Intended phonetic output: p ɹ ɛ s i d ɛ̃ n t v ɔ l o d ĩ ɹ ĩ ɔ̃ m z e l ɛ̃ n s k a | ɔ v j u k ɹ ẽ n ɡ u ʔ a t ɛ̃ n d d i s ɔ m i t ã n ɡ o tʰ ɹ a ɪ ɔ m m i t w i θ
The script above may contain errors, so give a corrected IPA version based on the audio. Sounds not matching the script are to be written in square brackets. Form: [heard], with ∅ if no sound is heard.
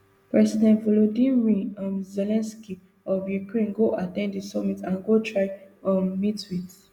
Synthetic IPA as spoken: p ɹ ɛ s i d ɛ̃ n t v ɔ l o d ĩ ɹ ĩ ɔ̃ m z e l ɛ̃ n s k [i] | ɔ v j u k ɹ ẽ n ɡ [o] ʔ a t ɛ̃ n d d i s ɔ m i t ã n ɡ o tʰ ɹ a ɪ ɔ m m i t w i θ